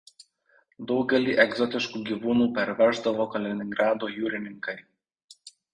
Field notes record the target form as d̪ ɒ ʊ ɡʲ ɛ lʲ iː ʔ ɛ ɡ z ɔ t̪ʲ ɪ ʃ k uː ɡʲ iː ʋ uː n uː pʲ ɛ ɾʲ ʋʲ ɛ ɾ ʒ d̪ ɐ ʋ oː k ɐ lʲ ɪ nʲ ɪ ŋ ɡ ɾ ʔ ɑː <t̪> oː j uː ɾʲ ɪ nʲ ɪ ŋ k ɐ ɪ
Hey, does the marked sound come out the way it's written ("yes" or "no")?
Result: no